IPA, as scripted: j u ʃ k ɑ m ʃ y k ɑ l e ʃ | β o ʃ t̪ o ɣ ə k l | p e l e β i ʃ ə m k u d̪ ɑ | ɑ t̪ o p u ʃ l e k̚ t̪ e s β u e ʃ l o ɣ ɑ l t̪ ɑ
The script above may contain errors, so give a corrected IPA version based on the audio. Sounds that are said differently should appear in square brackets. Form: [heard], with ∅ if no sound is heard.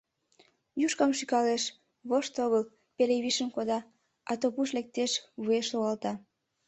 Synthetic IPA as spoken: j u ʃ k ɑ m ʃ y k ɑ l e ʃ | β o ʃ t̪ o ɣ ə [∅] l | p e l e β i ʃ ə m k [o] d̪ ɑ | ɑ t̪ o p u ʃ l e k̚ t̪ e [ʃ] β u e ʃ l o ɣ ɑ l t̪ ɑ